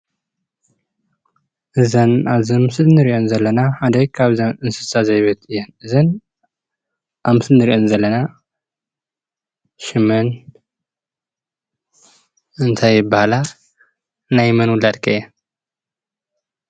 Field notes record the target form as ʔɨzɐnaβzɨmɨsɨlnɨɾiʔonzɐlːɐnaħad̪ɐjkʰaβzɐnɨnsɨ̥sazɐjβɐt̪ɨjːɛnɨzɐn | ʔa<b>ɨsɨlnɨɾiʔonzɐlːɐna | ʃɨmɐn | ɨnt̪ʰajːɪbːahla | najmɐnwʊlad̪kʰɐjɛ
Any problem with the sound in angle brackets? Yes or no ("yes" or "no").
yes